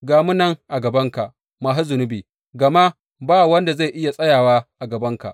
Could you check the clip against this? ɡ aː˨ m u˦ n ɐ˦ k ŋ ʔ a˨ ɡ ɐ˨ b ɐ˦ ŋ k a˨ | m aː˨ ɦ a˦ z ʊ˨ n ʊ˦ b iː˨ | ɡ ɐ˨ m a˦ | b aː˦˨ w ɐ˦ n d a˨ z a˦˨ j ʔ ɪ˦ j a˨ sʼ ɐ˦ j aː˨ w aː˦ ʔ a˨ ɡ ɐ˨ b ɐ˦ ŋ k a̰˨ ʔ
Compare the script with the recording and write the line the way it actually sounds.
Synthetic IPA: ɡ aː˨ m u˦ n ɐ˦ ŋ ʔ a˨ ɡ ɐ˨ b ɐ˦ ŋ k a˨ | m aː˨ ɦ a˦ z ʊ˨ n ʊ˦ b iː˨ | ɡ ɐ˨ m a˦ | b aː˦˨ w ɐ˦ n d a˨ z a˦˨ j ʔ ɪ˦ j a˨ sʼ ɐ˦ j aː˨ w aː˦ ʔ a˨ ɡ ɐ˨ b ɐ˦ ŋ k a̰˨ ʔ